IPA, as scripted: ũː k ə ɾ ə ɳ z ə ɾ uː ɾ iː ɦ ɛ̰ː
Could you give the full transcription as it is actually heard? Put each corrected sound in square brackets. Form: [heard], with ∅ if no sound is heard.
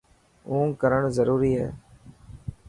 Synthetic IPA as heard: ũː k ə ɾ ə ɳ z ə ɾ uː ɾ iː ɦ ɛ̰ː